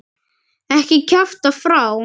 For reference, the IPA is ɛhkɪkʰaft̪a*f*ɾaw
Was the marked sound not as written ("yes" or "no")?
no